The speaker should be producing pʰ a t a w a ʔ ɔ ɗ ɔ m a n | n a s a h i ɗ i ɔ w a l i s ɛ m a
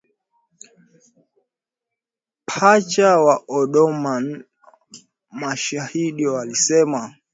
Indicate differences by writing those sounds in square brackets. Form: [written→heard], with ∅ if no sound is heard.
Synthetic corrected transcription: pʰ a [t→t͡ʃ] a w a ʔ ɔ ɗ ɔ m a n | [n→m] a [s→ʃ] a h i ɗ i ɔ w a l i s ɛ m a